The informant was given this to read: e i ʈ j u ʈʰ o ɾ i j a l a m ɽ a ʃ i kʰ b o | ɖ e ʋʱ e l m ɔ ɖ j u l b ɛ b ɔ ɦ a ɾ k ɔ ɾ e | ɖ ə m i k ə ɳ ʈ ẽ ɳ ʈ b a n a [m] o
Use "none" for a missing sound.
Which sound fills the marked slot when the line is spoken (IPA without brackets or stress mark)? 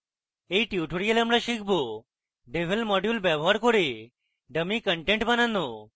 n